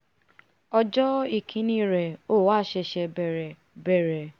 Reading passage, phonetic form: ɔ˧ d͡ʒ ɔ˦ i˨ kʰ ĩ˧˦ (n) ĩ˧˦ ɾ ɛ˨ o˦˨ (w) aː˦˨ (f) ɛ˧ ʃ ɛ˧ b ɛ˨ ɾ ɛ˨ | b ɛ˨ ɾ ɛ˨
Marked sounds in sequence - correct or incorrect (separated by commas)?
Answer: correct, correct, incorrect